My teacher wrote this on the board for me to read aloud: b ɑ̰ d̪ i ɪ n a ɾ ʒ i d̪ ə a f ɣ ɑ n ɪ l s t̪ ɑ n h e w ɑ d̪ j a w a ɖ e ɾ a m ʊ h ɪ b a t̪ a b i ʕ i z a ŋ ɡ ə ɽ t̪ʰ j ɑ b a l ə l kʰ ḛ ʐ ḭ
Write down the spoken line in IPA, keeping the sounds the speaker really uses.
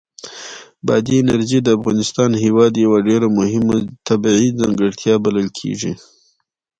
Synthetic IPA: b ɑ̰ d̪ i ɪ n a ɾ ʒ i d̪ ə a f ɣ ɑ n ɪ s t̪ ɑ n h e w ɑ d̪ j a w a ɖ e ɾ a m ʊ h ɪ m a t̪ a b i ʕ i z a ŋ ɡ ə ɽ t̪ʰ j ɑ b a l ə l kʰ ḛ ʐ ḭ